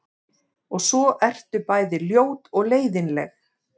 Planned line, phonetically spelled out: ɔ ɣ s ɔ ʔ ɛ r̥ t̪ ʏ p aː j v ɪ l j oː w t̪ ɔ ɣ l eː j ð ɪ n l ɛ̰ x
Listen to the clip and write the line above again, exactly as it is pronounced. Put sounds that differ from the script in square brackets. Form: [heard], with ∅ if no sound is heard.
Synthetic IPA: ɔ ɣ s ɔ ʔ ɛ r̥ t̪ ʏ p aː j [ð] ɪ l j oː w t̪ ɔ ɣ l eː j ð ɪ n l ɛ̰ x